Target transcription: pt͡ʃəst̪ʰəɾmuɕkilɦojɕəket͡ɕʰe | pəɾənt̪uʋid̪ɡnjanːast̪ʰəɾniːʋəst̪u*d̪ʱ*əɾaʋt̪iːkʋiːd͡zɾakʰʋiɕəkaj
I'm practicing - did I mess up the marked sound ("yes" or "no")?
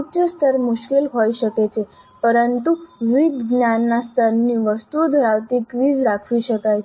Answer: no